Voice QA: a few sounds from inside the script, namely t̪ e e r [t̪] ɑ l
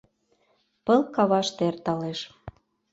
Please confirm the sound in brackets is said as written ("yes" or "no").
yes